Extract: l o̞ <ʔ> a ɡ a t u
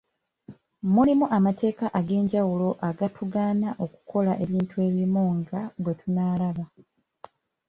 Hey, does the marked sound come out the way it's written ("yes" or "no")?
yes